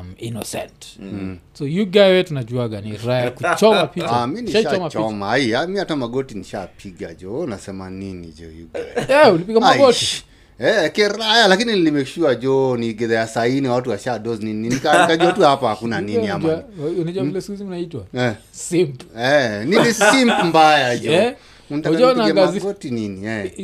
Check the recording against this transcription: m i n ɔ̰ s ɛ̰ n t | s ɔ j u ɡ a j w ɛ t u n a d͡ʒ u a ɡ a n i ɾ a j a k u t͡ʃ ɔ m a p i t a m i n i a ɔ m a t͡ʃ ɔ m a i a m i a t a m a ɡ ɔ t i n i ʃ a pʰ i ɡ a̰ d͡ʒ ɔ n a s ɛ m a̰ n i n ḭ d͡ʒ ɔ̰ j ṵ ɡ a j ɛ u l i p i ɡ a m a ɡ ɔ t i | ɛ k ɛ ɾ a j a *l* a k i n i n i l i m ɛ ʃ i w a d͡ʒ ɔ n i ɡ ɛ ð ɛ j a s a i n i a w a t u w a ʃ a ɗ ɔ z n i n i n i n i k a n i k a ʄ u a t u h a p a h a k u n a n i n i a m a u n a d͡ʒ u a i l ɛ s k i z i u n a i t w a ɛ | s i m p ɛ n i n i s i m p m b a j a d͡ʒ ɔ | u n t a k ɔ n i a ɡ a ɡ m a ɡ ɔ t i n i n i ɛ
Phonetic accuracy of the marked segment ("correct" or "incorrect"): correct